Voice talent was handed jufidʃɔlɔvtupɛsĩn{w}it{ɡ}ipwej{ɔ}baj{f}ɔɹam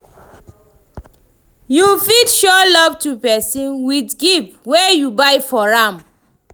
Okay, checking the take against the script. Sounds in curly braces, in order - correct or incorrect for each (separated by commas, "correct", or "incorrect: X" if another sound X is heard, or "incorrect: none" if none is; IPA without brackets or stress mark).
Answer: correct, correct, incorrect: u, correct